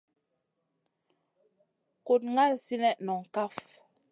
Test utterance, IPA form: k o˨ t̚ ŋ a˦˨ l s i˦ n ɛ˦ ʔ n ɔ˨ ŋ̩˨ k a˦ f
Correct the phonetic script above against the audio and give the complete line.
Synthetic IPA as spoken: k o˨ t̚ ŋ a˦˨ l s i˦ n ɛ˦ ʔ n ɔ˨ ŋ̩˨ k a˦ f